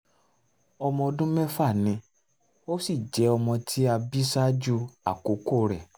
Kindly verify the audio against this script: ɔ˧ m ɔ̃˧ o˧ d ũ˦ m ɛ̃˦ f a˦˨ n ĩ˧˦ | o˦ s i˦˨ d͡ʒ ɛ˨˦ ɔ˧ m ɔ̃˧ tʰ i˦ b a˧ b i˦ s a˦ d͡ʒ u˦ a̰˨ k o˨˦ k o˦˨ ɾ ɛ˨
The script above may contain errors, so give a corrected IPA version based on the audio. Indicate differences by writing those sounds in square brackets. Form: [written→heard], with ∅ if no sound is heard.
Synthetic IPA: ɔ˧ m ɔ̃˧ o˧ d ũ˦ m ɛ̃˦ f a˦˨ n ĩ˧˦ | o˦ s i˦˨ d͡ʒ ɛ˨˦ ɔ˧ m ɔ̃˧ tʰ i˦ [b→∅] a˧ b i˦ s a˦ d͡ʒ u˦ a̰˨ k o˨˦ k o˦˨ ɾ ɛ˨